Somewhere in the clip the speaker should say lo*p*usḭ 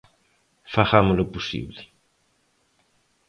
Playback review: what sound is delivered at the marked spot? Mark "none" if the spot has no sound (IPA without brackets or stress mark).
p